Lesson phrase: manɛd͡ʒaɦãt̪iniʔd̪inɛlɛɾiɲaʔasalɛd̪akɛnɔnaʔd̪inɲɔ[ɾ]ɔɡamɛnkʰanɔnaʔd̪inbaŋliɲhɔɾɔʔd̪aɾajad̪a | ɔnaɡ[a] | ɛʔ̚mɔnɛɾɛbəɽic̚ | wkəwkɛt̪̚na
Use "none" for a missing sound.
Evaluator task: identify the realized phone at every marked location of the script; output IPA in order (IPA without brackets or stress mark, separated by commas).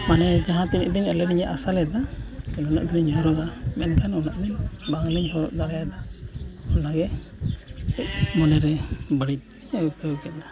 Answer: ɾ, ɛ